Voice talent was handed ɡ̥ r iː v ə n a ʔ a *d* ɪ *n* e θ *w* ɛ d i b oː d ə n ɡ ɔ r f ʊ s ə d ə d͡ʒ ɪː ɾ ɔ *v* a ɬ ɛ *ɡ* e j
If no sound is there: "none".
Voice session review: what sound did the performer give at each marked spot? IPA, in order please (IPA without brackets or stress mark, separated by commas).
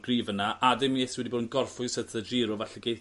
d, m, w, v, ɡ